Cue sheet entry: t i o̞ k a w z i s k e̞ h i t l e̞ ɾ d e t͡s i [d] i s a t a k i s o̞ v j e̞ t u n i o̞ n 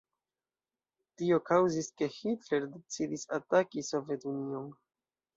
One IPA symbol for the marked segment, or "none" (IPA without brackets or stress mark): d